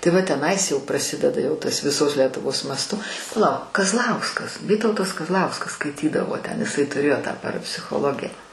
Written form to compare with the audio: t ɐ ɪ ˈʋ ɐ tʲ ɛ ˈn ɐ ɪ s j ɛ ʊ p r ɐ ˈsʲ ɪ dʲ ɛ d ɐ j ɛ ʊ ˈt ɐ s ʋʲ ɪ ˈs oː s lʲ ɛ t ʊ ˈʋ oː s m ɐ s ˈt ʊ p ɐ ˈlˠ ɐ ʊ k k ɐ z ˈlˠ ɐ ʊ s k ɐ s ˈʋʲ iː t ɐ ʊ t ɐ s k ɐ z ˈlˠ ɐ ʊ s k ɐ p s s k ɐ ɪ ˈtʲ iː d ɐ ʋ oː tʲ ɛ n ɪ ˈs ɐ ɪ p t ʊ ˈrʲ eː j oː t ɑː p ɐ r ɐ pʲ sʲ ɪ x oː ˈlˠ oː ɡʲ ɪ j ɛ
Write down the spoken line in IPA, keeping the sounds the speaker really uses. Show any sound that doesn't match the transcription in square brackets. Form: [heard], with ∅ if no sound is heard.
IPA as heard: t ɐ ɪ ˈʋ ɐ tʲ ɛ ˈn ɐ ɪ s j ɛ ʊ p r ɐ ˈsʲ ɪ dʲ ɛ d ɐ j ɛ ʊ ˈt ɐ s ʋʲ ɪ ˈs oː s lʲ ɛ t ʊ ˈʋ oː s m ɐ s ˈt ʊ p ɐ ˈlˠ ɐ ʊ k k ɐ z ˈlˠ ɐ ʊ s k ɐ s ˈʋʲ iː t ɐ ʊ t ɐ s k ɐ z ˈlˠ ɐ ʊ s k ɐ [∅] s s k ɐ ɪ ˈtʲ iː d ɐ ʋ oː tʲ ɛ n ɪ ˈs ɐ ɪ [∅] t ʊ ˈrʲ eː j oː t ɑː p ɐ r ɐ pʲ sʲ ɪ x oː ˈlˠ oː ɡʲ ɪ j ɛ